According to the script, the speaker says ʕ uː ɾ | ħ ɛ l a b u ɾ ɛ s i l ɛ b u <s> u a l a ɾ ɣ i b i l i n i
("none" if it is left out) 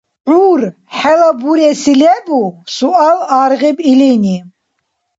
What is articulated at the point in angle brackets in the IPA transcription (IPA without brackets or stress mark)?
s